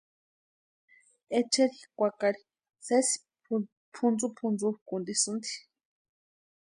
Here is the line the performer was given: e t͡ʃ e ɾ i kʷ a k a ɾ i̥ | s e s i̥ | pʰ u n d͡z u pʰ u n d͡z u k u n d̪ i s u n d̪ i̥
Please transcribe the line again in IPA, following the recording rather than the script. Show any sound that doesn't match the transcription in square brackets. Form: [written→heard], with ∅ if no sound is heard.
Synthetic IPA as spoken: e t͡ʃ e ɾ i kʷ a k a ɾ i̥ | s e s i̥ | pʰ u n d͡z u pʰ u n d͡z u k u n d̪ i s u n d̪ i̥